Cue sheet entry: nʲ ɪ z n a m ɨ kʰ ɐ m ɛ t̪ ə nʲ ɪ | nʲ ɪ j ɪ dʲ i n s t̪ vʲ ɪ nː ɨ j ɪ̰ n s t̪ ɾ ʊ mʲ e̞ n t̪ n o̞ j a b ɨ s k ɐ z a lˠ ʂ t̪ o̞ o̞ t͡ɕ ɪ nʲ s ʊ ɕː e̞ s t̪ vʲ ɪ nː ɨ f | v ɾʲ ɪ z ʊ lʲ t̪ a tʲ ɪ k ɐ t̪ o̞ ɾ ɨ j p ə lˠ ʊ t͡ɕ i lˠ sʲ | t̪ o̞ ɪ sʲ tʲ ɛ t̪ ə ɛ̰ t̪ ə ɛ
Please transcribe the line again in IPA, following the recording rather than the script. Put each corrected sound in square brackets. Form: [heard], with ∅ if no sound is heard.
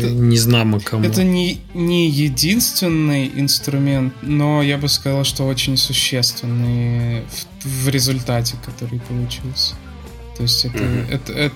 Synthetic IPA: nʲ ɪ z n a m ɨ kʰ ɐ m ɛ t̪ ə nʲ ɪ | nʲ ɪ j ɪ dʲ i n s t̪ vʲ ɪ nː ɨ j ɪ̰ n s t̪ ɾ ʊ mʲ e̞ n t̪ n o̞ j a b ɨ s k ɐ z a lˠ ʂ t̪ o̞ o̞ t͡ɕ ɪ nʲ s ʊ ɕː e̞ s t̪ vʲ ɪ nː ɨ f | v ɾʲ ɪ z ʊ lʲ t̪ a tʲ ɪ k ɐ t̪ o̞ ɾ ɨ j p ə lˠ ʊ t͡ɕ i lˠ sʲ | t̪ o̞ ɪ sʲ tʲ ɛ t̪ ə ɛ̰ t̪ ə ɛ